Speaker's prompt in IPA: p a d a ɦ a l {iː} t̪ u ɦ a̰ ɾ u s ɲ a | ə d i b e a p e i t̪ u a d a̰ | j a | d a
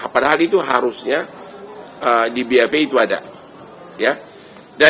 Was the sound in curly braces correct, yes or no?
no